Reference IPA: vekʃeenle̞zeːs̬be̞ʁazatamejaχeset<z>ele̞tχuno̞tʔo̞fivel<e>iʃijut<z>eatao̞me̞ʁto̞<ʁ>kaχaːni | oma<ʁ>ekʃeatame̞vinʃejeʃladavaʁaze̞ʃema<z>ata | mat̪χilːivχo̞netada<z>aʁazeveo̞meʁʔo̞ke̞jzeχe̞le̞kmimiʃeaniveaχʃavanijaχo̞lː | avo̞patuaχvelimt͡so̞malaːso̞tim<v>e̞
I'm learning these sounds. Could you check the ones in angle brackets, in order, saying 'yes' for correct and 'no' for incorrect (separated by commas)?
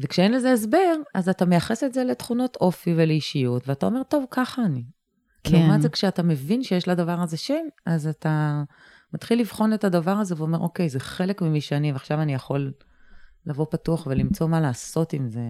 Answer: yes, yes, no, no, no, yes, no, no